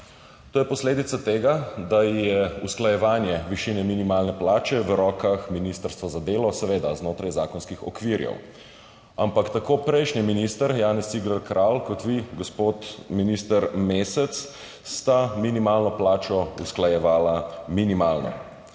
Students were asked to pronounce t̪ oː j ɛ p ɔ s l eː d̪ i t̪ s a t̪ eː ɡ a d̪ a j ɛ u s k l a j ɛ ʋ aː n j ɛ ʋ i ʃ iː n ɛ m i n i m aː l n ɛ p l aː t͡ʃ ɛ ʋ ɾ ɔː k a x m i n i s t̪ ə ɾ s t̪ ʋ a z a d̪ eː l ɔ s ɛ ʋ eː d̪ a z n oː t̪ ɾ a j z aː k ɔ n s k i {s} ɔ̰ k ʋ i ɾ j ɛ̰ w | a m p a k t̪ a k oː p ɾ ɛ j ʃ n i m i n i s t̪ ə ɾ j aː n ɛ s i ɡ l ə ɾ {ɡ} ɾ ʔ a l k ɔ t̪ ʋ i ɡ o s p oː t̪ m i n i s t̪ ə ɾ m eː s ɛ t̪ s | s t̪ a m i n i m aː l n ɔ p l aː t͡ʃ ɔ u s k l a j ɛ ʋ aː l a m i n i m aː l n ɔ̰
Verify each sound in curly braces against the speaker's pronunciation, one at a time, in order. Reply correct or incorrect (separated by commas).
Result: incorrect, incorrect